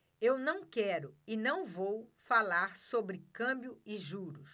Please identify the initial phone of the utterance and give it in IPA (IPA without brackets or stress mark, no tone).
e